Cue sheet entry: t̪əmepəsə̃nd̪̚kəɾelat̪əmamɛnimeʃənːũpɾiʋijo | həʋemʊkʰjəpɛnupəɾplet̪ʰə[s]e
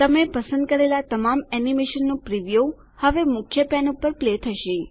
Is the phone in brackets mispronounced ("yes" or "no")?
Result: yes